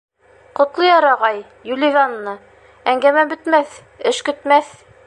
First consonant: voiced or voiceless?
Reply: voiceless